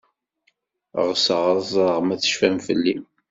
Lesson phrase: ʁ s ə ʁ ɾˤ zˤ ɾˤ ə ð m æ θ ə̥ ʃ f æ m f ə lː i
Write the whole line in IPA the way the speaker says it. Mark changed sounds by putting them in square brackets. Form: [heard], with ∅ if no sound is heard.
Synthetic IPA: ʁ s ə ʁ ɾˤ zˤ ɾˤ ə [ʁ] m æ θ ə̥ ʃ f æ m f ə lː i